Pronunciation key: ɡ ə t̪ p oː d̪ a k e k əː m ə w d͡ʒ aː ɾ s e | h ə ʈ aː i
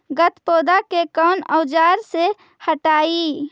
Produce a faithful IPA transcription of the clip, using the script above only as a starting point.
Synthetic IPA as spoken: ɡ ə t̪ p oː d̪ a k e k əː n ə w d͡ʒ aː ɾ s e | h ə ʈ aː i